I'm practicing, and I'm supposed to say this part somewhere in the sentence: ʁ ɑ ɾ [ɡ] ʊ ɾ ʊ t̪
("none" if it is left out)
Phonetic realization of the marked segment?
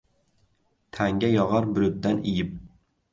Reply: b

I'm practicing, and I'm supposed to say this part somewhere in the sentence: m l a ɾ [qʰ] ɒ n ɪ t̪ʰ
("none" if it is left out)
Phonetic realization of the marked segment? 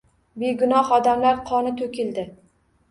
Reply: qʰ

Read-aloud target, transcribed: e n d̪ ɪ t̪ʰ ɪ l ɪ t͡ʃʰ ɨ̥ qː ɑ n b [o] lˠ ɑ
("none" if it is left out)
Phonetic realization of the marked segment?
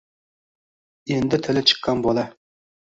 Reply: o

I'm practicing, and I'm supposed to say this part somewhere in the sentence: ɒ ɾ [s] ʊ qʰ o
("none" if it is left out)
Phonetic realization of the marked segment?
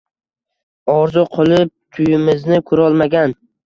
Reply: z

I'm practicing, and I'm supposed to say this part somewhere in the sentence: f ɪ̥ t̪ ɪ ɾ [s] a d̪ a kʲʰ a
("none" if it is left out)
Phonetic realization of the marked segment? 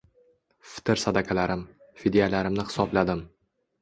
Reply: s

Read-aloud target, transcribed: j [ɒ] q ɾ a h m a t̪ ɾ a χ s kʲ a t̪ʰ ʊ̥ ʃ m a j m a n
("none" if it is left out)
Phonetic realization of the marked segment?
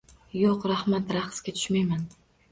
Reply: o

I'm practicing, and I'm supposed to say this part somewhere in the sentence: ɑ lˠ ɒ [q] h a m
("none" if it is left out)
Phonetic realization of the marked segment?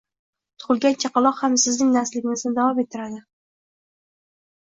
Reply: q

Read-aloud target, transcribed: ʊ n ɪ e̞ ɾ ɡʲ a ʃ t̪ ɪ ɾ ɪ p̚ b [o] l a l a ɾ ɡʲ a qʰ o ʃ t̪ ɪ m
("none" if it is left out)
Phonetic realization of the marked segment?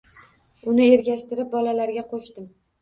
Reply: ɒ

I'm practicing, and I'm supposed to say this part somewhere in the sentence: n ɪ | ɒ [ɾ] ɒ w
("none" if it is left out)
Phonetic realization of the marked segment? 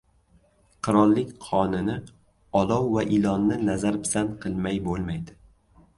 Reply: l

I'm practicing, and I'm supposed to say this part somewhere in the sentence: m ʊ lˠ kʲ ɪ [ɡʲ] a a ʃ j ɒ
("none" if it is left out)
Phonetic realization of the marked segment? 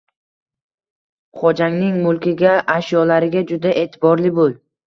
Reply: ɡʲ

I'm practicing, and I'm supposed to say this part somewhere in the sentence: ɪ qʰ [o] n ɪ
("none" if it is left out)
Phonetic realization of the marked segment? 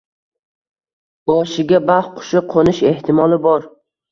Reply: o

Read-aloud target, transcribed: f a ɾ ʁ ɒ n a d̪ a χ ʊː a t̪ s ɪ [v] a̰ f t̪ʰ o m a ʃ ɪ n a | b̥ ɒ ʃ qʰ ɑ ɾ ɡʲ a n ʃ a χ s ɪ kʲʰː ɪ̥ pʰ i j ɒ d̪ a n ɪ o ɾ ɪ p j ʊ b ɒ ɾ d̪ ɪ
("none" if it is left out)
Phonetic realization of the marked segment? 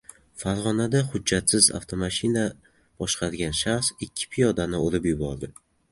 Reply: z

